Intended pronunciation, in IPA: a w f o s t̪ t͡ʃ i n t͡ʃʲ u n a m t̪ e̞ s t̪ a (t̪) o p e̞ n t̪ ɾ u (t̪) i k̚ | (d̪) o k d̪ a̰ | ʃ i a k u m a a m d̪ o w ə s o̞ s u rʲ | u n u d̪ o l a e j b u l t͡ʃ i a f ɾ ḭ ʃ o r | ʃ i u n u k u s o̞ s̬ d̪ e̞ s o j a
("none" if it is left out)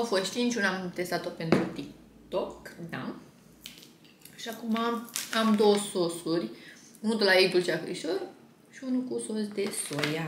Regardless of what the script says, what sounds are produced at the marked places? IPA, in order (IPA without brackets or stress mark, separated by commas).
t̪, t̪, t̪